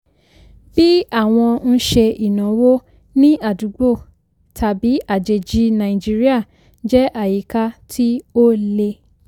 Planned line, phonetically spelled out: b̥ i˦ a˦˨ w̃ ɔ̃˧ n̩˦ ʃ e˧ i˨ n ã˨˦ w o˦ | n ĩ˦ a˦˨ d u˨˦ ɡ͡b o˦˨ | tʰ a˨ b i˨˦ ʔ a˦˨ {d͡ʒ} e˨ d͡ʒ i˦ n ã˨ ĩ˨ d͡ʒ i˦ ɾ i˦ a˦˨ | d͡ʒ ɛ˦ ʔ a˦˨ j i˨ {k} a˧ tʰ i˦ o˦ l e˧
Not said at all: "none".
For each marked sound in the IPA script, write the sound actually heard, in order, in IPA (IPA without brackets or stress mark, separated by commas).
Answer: d͡ʒ, k